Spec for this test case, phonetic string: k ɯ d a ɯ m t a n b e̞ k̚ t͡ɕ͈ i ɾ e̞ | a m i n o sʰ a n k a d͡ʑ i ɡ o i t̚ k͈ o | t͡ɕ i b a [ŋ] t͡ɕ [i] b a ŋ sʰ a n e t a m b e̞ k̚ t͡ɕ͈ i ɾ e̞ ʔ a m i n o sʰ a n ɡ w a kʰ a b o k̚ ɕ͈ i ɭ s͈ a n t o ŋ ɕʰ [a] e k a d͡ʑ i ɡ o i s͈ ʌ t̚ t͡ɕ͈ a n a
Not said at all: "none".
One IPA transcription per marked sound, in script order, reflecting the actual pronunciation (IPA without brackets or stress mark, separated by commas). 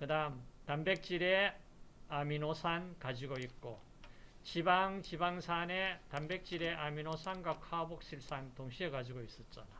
ŋ, i, i